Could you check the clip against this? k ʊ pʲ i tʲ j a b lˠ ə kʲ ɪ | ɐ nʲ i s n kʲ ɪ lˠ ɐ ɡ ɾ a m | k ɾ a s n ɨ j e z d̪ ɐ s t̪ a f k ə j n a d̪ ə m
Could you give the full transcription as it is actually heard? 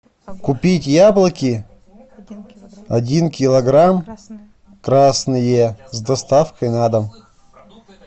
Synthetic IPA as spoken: k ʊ pʲ i tʲ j a b lˠ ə kʲ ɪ | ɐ dʲ i n kʲ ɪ lˠ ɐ ɡ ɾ a m | k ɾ a s n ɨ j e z d̪ ɐ s t̪ a f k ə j n a d̪ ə m